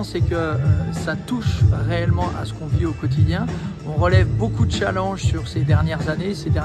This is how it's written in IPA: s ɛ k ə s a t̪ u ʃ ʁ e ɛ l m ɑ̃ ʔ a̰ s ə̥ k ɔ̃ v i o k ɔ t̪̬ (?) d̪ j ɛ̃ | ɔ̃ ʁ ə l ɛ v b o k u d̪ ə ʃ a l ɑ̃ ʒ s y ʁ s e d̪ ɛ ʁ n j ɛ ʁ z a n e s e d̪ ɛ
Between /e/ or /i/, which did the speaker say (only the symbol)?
i